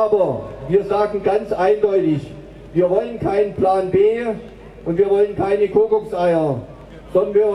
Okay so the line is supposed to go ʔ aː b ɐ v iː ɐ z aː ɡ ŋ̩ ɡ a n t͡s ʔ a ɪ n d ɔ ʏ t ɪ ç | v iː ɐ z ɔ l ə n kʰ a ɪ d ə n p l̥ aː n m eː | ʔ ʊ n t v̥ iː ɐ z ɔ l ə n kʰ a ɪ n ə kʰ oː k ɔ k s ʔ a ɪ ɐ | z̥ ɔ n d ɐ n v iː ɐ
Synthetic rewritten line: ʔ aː b ɐ v iː ɐ z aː ɡ ŋ̩ ɡ a n t͡s ʔ a ɪ n d ɔ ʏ t ɪ ç | v iː ɐ v ɔ l ə n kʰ a ɪ n ə n p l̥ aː n b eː | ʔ ʊ n t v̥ iː ɐ v ɔ l ə n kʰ a ɪ n ə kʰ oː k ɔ k s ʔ a ɪ ɐ | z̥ ɔ n d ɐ n v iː ɐ